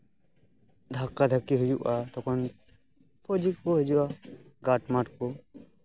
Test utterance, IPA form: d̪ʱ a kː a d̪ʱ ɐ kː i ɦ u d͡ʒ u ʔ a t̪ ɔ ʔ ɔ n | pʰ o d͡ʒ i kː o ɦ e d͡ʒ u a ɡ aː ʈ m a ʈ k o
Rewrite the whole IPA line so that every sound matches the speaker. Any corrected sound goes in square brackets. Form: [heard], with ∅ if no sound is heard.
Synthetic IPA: d̪ʱ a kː a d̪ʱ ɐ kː i ɦ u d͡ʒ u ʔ a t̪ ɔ [k] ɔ n | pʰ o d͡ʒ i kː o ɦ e d͡ʒ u a ɡ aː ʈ m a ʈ k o